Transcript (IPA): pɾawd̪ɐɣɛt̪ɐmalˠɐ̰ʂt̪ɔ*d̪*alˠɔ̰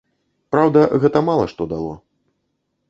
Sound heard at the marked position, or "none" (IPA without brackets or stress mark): d̪